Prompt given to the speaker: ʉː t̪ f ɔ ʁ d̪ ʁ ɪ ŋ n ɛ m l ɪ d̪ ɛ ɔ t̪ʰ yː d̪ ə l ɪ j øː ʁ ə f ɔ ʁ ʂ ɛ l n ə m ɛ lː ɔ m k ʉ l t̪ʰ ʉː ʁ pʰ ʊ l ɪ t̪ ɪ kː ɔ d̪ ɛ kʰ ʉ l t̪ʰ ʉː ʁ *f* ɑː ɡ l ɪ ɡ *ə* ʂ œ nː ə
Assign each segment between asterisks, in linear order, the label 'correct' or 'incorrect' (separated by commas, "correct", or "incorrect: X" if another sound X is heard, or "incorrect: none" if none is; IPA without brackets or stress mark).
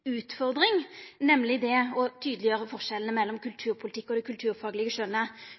correct, correct